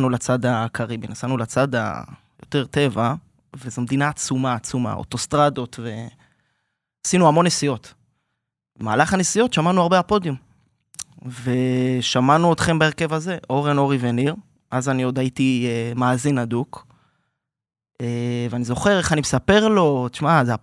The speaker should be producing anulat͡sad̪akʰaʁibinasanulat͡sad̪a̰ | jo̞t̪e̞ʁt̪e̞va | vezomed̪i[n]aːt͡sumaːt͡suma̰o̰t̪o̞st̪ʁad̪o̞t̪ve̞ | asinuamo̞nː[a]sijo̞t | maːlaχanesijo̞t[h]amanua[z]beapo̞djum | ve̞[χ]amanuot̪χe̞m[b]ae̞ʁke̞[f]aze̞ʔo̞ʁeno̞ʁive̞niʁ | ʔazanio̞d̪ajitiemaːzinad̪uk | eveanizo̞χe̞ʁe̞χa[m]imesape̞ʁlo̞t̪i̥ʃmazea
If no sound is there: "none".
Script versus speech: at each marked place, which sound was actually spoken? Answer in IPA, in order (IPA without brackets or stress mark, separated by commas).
n, e, ʃ, ʁ, ʃ, b, v, n